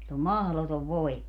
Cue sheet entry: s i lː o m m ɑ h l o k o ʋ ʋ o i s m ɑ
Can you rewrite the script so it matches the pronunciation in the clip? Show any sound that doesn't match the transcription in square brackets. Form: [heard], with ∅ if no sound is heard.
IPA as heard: s i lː o m m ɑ h l o [t] o ʋ ʋ o i [∅] m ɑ